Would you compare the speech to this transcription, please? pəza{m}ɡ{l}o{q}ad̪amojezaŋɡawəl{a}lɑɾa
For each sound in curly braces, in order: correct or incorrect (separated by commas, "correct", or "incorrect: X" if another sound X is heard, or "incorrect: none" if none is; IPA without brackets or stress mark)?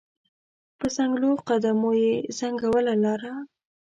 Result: incorrect: ŋ, correct, correct, correct